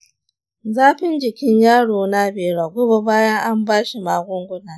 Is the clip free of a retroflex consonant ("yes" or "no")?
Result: no